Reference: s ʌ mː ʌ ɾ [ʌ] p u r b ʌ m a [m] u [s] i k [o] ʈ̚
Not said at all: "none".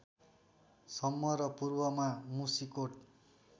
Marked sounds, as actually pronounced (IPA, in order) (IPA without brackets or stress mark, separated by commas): ʌ, m, s, o